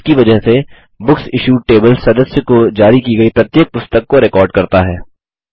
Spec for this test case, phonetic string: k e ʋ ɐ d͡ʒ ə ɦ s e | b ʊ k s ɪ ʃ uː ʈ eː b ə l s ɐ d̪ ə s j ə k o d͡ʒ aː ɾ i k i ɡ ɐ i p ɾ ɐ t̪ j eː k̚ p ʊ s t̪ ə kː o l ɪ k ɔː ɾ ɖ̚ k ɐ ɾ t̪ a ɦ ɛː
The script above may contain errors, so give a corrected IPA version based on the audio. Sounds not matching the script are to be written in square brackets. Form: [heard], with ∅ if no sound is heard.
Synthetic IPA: k [i] ʋ ɐ d͡ʒ ə ɦ s e | b ʊ k s ɪ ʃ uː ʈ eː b ə l s ɐ d̪ ə s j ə k o d͡ʒ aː ɾ i k i ɡ ɐ i p ɾ ɐ t̪ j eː k̚ p ʊ s t̪ ə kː o [ɾ] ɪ k ɔː ɾ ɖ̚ k ɐ ɾ t̪ a ɦ ɛː